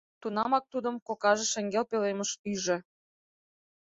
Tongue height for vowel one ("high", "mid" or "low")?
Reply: high